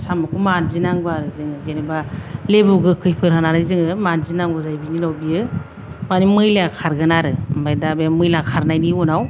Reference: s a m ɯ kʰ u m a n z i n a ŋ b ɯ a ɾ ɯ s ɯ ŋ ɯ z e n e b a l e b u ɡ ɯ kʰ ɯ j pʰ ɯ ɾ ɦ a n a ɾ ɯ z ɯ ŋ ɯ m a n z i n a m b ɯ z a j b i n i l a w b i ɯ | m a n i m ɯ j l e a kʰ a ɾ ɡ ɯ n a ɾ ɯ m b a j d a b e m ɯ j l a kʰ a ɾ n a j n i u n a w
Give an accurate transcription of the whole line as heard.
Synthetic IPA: s a m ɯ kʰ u m a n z i n a ŋ b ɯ a ɾ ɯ z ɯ ŋ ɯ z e n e b a l e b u ɡ ɯ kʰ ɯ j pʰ ɯ ɾ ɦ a n a ɾ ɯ z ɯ ŋ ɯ m a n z i n a ŋ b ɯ z a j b i n i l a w b i ɯ | m a n i m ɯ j l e a kʰ a ɾ ɡ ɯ n a ɾ ɯ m b a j d a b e m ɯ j l a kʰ a ɾ n a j n i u n a w